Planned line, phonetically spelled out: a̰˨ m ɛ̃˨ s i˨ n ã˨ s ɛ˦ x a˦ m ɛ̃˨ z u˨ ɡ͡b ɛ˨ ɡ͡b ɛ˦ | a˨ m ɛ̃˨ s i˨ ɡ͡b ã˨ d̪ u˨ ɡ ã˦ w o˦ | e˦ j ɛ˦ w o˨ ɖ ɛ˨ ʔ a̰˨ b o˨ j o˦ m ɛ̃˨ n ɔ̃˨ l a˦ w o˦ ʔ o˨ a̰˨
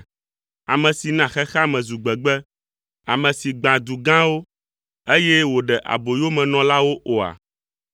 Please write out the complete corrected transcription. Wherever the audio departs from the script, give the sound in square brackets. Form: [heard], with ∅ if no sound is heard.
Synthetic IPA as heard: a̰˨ m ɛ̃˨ s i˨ n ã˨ [x] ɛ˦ x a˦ m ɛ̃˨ z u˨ ɡ͡b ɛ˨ ɡ͡b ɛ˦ | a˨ m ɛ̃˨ s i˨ ɡ͡b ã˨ d̪ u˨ ɡ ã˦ w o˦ | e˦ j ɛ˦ w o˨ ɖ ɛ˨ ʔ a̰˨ b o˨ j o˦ m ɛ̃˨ n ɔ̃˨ l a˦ w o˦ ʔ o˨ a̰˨

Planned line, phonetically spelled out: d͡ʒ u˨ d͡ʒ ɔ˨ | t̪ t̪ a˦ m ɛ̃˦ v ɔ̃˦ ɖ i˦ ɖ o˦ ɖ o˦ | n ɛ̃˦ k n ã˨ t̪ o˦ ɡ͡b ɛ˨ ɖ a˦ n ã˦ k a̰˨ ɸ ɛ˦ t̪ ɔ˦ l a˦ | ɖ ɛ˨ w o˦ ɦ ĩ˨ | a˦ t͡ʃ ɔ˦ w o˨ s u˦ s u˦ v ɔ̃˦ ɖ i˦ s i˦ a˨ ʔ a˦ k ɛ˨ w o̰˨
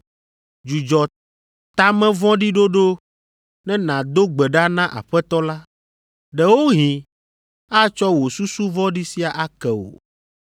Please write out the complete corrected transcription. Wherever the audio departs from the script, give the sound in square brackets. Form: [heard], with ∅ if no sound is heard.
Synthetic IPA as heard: d͡ʒ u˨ d͡ʒ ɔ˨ | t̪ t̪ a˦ m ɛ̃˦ v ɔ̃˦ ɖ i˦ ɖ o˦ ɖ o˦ | n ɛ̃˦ [∅] n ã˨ [d̪] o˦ ɡ͡b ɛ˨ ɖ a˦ n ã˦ [ʔ] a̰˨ ɸ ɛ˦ t̪ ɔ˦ l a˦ | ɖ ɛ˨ w o˦ ɦ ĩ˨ | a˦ t͡ʃ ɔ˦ w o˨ s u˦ s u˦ v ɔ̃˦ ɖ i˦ s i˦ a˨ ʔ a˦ k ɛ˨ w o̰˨

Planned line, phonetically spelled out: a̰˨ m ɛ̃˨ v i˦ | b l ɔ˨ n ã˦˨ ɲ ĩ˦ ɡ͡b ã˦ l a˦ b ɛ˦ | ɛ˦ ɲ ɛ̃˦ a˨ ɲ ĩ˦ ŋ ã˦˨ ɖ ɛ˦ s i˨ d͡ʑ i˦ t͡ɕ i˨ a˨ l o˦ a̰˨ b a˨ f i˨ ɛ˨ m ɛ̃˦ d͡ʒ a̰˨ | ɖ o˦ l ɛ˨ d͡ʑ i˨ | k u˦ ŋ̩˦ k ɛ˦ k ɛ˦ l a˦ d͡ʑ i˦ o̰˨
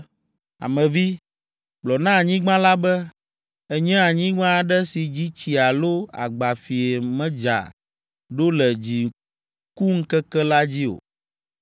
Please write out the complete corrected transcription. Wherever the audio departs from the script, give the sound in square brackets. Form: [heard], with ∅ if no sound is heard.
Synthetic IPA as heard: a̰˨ m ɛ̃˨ v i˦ | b l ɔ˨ n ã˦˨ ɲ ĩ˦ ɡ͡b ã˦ l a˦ b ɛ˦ | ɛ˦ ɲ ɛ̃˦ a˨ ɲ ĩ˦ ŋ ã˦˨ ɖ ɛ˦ s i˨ d͡ʑ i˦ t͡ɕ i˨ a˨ l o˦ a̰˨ [ɡ͡b] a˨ f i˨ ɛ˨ m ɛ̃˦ d͡ʒ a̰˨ | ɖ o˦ l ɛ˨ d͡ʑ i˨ | k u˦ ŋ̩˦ k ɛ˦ k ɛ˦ l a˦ d͡ʑ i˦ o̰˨

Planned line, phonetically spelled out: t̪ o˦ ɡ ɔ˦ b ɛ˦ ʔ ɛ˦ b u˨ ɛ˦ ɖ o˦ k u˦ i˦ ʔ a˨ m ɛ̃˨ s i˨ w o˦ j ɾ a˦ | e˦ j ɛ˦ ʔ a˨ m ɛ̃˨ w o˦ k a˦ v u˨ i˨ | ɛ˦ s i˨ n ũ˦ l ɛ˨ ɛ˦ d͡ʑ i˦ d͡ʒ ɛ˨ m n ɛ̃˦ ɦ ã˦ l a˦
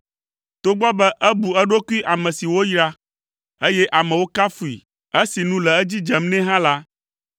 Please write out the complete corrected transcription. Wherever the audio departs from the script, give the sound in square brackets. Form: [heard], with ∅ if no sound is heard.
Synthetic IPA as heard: t̪ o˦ [ɡ͡b] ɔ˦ b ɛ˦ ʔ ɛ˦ b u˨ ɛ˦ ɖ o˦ k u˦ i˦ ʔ a˨ m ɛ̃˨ s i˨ w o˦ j ɾ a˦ | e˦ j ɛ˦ ʔ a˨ m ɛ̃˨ w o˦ k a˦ [f] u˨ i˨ | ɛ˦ s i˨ n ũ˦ l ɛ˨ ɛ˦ d͡ʑ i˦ d͡ʒ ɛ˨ m n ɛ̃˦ ɦ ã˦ l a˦

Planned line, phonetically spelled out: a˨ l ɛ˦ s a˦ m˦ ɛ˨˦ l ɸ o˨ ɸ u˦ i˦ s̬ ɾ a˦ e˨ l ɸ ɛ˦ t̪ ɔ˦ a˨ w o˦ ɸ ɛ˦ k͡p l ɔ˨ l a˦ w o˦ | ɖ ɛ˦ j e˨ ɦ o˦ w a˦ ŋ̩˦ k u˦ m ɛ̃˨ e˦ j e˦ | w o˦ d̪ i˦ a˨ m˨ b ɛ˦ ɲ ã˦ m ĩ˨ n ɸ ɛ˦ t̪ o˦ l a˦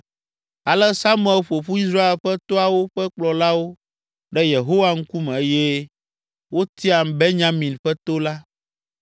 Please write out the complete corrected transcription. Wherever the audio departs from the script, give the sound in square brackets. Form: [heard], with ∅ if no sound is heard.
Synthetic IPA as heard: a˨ l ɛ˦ s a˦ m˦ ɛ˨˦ l ɸ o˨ ɸ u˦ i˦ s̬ ɾ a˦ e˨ l ɸ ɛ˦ t̪ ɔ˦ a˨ w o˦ ɸ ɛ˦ k͡p l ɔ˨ l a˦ w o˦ | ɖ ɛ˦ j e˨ ɦ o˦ w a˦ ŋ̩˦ k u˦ m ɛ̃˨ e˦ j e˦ | w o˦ [t̪] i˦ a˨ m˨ b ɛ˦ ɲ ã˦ m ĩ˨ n ɸ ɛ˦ t̪ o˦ l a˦

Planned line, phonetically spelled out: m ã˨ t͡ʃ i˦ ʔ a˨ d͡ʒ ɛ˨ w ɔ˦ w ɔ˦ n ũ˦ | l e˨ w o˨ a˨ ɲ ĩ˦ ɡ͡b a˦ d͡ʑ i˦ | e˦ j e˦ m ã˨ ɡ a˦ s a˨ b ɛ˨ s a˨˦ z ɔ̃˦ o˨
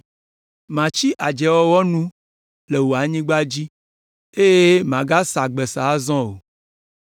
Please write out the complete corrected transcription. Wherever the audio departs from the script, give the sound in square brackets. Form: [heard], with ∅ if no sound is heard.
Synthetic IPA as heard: m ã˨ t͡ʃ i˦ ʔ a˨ d͡ʒ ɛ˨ w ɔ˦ w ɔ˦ n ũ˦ | l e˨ w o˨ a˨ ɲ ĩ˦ ɡ͡b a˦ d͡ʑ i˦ | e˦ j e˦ m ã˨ ɡ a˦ s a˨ [ɡ͡b] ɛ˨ s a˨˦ z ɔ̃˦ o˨

